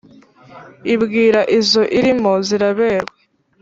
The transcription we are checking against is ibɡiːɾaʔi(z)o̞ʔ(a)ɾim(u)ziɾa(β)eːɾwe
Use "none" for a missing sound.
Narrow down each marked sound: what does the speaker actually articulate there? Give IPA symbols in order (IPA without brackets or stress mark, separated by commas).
z, i, o, β